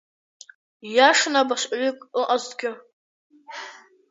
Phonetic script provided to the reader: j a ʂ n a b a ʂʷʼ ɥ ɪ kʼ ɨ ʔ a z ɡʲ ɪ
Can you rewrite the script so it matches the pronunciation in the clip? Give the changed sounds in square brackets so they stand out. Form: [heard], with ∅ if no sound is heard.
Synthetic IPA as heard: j a ʂ n a b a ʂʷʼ ɥ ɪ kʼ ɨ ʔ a z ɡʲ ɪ